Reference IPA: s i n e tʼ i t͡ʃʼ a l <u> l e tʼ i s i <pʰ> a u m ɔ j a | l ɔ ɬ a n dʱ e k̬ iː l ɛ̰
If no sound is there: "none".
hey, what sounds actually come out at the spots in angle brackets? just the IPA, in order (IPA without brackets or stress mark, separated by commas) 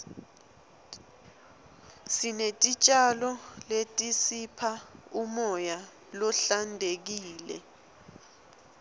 ɔ, pʰ